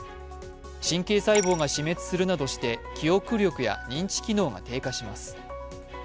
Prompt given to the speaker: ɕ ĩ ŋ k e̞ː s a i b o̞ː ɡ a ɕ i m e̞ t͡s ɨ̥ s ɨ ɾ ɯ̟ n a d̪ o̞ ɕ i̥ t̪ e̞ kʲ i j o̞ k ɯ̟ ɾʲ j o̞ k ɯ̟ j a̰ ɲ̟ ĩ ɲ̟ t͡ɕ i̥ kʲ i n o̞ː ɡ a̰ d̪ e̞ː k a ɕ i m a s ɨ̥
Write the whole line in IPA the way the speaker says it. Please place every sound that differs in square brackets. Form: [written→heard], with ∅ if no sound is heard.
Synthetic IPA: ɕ ĩ ŋ k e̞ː s a i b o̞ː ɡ a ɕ i m e̞ t͡s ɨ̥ s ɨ ɾ ɯ̟ n a d̪ o̞ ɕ i̥ t̪ e̞ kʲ i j o̞ k ɯ̟ ɾʲ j o̞ k ɯ̟ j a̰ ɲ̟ ĩ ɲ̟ t͡ɕ i̥ kʲ i n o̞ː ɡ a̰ [d̪→t̪] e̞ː k a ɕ i m a s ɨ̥